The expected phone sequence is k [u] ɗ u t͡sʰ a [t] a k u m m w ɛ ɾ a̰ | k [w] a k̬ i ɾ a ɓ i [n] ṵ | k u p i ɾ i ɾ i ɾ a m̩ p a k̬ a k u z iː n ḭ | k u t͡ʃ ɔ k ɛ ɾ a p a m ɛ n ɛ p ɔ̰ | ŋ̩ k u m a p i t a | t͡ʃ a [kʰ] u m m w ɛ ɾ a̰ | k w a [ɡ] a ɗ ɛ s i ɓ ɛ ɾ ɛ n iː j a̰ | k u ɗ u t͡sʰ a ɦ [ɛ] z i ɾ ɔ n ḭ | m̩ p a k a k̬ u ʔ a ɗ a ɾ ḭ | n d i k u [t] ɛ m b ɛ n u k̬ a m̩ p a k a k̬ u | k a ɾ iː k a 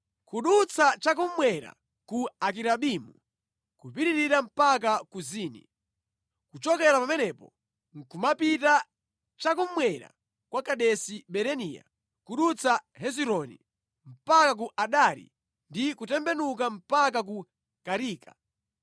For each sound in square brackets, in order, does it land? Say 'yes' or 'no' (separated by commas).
yes, no, no, no, no, no, yes, yes